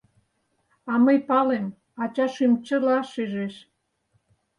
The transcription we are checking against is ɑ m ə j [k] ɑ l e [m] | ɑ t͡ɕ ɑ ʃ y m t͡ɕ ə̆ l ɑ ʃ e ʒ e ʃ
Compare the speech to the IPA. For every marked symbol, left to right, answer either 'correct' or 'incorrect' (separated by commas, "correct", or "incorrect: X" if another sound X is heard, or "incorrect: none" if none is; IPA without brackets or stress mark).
incorrect: p, correct